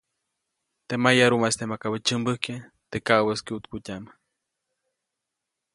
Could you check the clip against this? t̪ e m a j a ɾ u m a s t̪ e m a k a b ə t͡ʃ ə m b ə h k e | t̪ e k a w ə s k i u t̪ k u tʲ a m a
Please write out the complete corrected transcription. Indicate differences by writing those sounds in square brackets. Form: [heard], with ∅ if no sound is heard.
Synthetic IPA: t̪ e m a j a ɾ u m a s t̪ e m a k a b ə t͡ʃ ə m b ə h k e | t̪ e k a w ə s k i u t̪ k u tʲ a m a